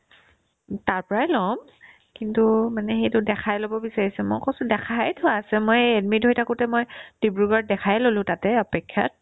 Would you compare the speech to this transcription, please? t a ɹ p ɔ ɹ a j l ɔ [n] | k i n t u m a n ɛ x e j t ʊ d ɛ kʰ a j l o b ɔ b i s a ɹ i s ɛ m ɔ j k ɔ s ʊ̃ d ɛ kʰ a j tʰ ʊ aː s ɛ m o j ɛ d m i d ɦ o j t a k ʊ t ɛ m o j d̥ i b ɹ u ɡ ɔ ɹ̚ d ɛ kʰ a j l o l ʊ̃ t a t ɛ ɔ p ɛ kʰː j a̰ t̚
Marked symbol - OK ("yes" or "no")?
no